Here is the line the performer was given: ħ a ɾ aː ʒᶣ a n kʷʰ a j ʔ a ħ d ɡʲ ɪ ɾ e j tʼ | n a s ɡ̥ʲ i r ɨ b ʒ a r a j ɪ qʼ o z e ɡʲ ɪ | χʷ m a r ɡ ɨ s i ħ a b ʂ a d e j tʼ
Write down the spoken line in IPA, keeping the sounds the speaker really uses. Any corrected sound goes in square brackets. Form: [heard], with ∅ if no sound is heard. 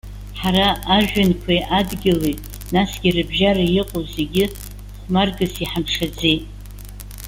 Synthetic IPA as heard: ħ a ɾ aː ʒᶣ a n kʷʰ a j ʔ a [∅] d ɡʲ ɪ [l] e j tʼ | n a s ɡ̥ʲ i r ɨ b ʒ a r a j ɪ qʼ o z e ɡʲ ɪ | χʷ m a r ɡ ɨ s i ħ a [m] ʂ a [d͡z] e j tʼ